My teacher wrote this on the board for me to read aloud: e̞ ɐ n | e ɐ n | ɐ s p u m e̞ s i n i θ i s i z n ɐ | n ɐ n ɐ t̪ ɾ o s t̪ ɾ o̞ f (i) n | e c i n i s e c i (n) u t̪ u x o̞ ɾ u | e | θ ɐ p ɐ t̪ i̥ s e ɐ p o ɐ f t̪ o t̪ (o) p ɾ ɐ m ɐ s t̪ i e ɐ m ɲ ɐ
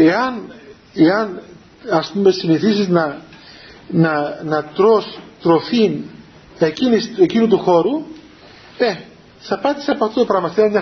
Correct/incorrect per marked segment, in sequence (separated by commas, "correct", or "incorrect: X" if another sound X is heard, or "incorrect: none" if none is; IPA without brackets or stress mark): correct, correct, correct